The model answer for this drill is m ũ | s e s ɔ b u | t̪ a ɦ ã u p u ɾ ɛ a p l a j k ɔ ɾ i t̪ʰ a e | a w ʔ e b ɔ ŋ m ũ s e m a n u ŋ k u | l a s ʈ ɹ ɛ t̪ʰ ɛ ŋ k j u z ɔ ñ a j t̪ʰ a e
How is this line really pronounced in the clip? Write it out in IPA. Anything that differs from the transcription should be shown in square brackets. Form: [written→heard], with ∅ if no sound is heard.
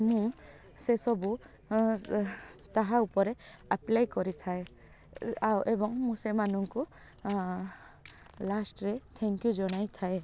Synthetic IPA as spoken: m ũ | s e s ɔ b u | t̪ a ɦ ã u p [u→ɔ] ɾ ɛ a p l a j k ɔ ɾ i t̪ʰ a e | a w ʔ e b ɔ ŋ m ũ s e m a n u ŋ k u | l a s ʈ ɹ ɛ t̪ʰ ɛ ŋ k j u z ɔ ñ a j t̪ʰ a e